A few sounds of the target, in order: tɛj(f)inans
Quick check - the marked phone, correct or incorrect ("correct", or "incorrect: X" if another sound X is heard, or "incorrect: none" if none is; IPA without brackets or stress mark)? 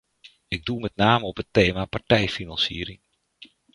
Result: correct